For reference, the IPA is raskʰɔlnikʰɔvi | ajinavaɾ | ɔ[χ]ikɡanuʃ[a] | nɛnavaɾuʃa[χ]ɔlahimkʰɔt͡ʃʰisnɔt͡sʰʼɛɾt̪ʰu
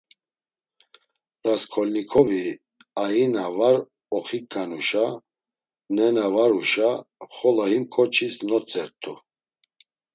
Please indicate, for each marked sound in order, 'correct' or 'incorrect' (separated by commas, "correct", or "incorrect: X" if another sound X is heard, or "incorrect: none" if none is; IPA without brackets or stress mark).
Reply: correct, correct, correct